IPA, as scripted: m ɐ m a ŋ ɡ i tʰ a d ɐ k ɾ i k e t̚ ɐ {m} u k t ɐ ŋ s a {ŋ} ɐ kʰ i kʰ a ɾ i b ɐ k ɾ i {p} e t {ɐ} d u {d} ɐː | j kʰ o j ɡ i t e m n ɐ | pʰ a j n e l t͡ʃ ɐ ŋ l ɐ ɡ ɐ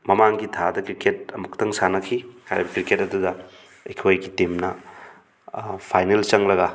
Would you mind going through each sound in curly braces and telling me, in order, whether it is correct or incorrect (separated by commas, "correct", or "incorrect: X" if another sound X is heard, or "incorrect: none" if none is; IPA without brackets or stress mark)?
correct, incorrect: n, incorrect: k, correct, correct